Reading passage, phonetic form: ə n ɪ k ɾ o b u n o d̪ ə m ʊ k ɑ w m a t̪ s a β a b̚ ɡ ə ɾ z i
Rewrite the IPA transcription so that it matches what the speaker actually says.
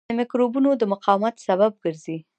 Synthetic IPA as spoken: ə m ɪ k ɾ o b u n o d̪ ə m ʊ q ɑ w m a t̪ s a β a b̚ ɡ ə ɾ z i

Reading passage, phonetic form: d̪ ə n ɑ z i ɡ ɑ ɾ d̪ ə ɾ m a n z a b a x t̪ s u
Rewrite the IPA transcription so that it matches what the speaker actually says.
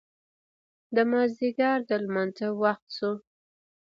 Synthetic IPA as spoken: d̪ ə m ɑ z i ɡ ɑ ɾ d̪ ə l m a n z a w a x t̪ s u

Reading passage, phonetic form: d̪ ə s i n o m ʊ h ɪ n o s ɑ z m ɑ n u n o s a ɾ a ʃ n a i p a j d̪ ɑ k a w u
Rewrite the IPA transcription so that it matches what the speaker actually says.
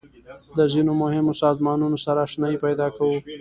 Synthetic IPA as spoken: d̪ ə z i n o m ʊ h ɪ m o s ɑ z m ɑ n u n o s a ɾ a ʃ n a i p a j d̪ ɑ k a w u

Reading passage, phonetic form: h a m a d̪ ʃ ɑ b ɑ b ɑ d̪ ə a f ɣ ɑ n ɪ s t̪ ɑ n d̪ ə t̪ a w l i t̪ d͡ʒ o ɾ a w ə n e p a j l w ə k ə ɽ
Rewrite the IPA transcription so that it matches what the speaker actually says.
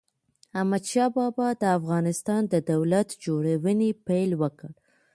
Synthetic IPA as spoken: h a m a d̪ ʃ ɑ b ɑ b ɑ d̪ ə a f ɣ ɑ n ɪ s t̪ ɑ n d̪ ə d̪ a w l a t̪ d͡ʒ o ɽ a w ə n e p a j l w ə k ə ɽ

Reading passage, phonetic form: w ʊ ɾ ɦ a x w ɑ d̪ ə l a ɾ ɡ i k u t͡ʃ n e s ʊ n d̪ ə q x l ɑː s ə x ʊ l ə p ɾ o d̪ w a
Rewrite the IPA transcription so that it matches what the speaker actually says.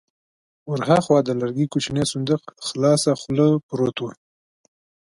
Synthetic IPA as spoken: w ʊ ɾ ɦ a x w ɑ d̪ ə l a ɾ ɡ i k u t͡ʃ n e s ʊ n d̪ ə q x l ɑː s a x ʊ l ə p ɾ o t̪ w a

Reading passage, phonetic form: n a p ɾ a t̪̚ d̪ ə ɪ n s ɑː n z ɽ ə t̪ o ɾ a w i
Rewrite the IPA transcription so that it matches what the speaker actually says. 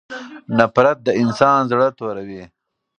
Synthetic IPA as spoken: n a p ɾ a t̪̚ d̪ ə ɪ n s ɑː n z ɽ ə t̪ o ɾ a w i

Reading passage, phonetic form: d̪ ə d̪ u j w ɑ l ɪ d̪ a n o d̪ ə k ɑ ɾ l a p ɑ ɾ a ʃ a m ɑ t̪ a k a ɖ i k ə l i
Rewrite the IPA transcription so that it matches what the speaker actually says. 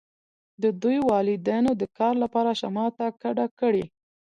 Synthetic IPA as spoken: d̪ ə d̪ u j w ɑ l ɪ d̪ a n o d̪ ə k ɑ ɾ l a p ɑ ɾ a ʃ a m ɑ t̪ a k a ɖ a k ə ɽ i

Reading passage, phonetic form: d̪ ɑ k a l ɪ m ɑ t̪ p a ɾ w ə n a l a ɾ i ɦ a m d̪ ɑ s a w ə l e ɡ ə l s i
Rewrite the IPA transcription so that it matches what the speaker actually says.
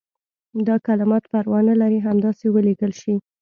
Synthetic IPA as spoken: d̪ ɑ k a l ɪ m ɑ t̪ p a ɾ w ɑ n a l a ɾ i ɦ a m d̪ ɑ s e w ə l e ɡ ə l ʃ i

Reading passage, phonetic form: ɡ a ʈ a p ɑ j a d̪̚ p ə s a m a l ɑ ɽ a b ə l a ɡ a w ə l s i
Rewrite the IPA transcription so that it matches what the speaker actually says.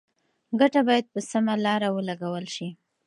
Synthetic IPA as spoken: ɡ a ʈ a b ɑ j a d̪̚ p ə s a m a l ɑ ɾ a w ə l a ɡ a w ə l ʃ i

